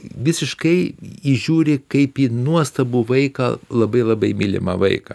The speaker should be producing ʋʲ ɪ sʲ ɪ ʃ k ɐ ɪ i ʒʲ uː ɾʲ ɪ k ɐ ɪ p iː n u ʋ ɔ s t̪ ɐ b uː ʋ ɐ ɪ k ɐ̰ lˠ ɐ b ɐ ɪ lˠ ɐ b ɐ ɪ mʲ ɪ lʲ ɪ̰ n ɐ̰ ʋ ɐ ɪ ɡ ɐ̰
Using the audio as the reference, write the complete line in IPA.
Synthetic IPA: ʋʲ ɪ sʲ ɪ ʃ k ɐ ɪ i ʒʲ uː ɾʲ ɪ k ɐ ɪ p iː n u ɔ s t̪ ɐ b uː ʋ ɐ ɪ k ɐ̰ lˠ ɐ b ɐ ɪ lˠ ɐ b ɐ ɪ mʲ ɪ lʲ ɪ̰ m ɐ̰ ʋ ɐ ɪ k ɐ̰